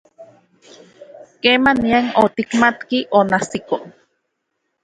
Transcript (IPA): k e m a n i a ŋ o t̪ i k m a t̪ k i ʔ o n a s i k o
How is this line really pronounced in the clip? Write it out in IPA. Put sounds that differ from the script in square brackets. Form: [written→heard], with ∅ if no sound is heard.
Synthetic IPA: k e m a n i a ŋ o t̪ i k m a t̪ k i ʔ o n a s i k o